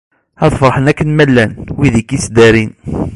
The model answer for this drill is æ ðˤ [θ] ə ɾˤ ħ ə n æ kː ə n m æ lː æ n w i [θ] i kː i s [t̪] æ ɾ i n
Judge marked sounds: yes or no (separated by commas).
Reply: no, no, no